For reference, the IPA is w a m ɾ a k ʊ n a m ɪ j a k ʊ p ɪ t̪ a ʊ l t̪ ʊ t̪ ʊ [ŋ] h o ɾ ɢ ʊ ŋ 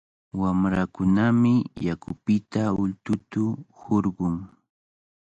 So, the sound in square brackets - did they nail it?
no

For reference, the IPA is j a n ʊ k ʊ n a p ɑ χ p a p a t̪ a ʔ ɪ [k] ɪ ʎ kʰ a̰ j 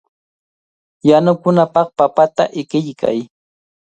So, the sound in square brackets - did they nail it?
yes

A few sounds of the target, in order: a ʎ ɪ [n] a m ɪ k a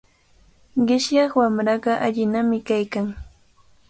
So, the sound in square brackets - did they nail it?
yes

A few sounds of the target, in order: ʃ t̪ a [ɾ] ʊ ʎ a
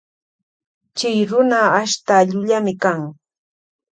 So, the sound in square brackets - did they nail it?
no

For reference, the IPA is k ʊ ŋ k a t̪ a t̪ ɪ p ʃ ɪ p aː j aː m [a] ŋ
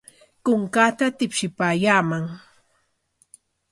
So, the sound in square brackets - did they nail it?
yes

